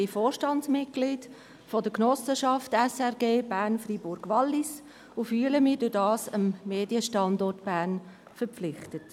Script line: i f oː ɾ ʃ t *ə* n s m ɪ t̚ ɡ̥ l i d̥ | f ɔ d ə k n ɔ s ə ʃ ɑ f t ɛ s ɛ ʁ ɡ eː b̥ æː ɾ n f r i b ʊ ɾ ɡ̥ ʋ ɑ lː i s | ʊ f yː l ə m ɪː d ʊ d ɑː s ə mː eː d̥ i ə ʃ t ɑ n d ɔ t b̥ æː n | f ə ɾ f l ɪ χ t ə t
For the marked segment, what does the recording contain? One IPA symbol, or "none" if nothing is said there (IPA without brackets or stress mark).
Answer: ɑ